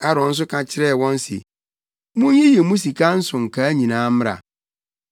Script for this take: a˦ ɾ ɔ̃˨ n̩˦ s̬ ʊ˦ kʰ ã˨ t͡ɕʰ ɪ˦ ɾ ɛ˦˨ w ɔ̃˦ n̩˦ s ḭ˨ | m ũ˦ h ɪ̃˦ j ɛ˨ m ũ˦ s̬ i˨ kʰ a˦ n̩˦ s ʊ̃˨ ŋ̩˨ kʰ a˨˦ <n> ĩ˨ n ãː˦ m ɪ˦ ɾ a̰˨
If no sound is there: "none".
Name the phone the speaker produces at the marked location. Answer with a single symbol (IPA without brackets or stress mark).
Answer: ɲ